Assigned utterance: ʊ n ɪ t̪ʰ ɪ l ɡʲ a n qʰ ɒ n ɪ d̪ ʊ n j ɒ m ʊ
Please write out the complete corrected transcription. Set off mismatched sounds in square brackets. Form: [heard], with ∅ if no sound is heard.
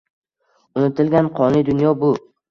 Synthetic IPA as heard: ʊ n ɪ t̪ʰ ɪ l ɡʲ a n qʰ ɒ n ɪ d̪ ʊ n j ɒ [b] ʊ